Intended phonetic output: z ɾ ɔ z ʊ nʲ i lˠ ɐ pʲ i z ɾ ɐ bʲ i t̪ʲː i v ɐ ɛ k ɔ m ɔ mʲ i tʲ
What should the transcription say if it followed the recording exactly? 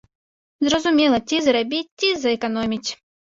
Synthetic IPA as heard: z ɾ ɔ z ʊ mʲ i lˠ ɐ tʲ i z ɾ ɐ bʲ i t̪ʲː i z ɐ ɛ k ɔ n ɔ mʲ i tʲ